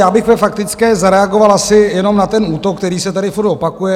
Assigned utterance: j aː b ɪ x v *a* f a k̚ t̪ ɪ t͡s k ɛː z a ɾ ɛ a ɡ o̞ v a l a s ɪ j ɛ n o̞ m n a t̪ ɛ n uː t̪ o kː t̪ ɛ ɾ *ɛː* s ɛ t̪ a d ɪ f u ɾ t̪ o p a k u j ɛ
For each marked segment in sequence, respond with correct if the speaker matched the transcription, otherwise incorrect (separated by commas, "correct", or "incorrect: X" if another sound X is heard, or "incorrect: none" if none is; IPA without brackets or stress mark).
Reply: incorrect: ɛ, incorrect: iː